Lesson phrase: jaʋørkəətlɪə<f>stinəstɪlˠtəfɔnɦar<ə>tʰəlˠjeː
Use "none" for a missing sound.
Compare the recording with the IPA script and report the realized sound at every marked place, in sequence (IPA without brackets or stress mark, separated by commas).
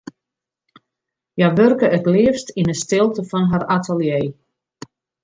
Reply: f, a